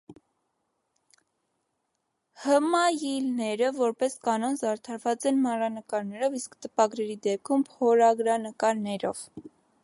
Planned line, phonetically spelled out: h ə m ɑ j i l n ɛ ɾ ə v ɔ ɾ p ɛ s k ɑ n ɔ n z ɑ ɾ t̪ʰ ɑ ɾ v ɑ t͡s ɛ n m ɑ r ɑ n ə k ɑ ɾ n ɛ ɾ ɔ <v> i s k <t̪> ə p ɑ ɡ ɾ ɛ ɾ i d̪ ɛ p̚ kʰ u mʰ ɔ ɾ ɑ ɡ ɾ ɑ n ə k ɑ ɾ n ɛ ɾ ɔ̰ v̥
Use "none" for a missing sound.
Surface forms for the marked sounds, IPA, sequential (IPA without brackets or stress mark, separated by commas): v, t̪